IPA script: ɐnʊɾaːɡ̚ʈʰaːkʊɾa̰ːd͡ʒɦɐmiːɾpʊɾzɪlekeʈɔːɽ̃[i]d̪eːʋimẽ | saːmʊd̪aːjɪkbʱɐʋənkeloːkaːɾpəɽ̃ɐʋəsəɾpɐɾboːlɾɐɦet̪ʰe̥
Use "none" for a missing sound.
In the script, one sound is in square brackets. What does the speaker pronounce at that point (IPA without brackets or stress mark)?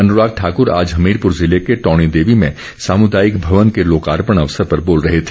i